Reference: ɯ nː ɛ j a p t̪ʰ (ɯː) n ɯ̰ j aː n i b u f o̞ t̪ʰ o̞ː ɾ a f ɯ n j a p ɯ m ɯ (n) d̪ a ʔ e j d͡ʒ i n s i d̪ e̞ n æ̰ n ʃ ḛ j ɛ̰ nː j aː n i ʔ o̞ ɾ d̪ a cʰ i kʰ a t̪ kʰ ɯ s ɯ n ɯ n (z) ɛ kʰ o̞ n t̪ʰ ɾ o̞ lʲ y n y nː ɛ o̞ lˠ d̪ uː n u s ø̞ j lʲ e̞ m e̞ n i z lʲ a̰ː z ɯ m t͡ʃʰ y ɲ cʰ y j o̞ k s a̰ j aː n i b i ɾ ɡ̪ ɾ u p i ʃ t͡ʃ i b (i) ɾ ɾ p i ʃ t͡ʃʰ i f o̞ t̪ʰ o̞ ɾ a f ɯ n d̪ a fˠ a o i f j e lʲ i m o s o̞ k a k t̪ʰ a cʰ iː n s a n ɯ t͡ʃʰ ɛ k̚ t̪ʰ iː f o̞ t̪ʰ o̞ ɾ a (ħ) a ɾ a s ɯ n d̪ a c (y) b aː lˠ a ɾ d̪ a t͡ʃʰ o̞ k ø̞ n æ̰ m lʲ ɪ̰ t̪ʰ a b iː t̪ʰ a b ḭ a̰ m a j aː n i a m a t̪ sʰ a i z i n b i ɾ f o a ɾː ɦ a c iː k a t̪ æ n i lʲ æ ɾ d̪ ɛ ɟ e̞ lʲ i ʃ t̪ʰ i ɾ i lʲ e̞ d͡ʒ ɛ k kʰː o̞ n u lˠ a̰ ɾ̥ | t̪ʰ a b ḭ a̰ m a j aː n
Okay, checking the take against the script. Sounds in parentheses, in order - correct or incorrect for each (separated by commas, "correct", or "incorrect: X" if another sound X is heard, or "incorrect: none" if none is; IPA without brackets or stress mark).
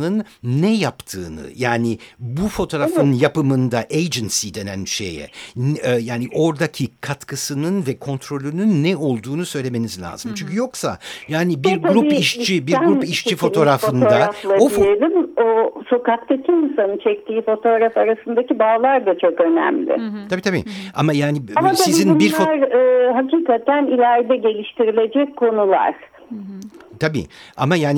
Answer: correct, correct, incorrect: v, correct, incorrect: f, incorrect: i